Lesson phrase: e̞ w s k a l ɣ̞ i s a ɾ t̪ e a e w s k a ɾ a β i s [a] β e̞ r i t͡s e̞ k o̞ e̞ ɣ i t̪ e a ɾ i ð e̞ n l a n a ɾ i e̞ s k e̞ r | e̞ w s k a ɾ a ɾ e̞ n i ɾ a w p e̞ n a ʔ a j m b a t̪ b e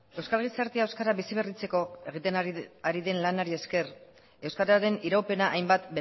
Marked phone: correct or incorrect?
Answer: incorrect